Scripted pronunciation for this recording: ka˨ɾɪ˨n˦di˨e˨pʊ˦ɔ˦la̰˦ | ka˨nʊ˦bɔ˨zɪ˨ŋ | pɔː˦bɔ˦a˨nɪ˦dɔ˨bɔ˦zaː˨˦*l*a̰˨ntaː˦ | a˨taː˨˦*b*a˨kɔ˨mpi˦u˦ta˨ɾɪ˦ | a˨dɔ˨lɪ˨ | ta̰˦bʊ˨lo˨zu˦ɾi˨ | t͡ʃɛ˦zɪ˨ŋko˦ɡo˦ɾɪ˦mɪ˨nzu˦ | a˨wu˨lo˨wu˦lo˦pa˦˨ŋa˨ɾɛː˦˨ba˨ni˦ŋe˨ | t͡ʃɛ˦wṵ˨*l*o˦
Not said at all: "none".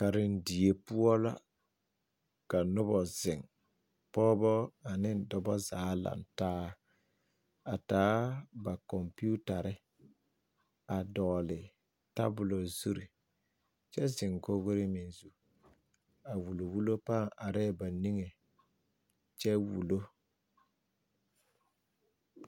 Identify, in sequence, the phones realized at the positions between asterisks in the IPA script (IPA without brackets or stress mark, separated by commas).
l, b, l